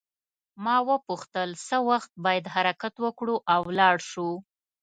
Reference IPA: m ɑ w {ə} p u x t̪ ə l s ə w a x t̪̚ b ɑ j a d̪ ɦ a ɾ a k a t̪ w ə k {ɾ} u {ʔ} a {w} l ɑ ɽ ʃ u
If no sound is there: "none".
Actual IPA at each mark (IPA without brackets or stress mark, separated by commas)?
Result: ə, ɽ, ʔ, w